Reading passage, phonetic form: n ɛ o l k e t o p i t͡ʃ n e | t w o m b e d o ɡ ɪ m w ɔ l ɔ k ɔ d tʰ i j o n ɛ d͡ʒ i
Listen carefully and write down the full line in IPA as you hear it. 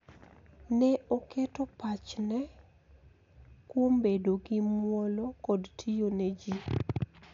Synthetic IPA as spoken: n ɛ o k e t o p a t͡ʃ n ɛ | k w o m b e d o ɡ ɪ m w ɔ l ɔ k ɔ d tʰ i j o n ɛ d͡ʒ i